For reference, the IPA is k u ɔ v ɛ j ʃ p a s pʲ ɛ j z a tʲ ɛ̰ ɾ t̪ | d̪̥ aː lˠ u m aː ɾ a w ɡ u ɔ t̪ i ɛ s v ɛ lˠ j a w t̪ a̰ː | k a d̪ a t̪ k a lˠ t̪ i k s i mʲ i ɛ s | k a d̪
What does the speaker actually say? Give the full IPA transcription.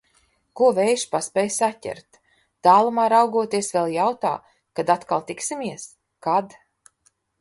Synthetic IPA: k u ɔ v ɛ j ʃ p a s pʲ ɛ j s a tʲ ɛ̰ ɾ t̪ | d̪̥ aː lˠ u m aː ɾ a w ɡ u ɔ t̪ i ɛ s v ɛ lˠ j a w t̪ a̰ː | k a d̪ a t̪ k a lˠ t̪ i k s i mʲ i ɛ s | k a d̪